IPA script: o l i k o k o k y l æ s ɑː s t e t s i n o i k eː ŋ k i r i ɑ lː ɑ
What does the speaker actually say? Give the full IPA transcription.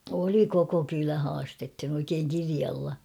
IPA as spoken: o l i k o k o k y l æ h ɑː s t e t h i n o i k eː ŋ k i r i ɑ lː ɑ